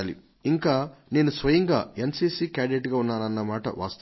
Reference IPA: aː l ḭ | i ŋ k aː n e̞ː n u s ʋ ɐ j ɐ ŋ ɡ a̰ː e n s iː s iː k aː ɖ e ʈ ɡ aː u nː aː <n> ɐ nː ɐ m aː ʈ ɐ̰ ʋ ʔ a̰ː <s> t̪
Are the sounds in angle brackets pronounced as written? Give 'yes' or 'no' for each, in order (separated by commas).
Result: yes, yes